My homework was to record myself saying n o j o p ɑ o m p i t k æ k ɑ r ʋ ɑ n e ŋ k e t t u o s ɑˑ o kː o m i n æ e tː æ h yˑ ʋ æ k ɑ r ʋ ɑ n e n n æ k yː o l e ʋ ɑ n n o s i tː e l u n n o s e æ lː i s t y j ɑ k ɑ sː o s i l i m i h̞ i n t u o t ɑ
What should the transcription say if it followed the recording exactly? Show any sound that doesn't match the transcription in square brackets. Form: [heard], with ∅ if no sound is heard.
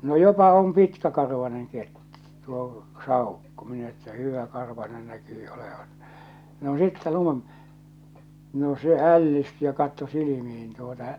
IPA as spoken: n o j o p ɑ o m p i t k æ k ɑ r ʋ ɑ n e ŋ k e t t u o s ɑˑ [u] kː o m i n æ e tː æ h yˑ ʋ æ k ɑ r ʋ ɑ n e n n æ k yː o l e ʋ ɑ n n o s i tː e l u n n o s e æ lː i s t y j ɑ k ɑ [tː] o s i l i m i h̞ i n t u o t ɑ